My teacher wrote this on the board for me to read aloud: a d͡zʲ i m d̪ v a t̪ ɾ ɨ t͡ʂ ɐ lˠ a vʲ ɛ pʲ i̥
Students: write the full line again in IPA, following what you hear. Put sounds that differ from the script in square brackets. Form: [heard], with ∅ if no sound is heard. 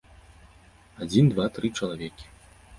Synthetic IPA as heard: a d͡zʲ i [n] d̪ v a t̪ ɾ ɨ t͡ʂ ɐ lˠ a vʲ ɛ [kʲ] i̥